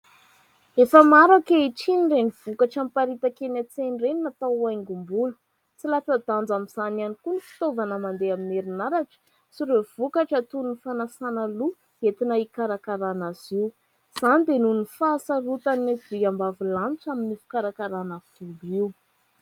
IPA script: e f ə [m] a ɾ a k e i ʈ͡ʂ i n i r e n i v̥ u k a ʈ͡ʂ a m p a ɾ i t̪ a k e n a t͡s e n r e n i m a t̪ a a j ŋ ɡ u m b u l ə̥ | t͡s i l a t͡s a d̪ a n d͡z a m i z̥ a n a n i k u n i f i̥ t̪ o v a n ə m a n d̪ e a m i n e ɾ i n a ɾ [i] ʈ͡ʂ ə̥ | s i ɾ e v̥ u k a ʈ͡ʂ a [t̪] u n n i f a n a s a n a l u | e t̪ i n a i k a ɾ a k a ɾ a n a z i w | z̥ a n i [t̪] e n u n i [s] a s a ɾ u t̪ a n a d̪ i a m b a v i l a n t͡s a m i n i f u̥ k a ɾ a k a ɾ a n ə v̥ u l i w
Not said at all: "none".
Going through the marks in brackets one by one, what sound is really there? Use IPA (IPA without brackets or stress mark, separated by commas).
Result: m, a, t̪, d̪, f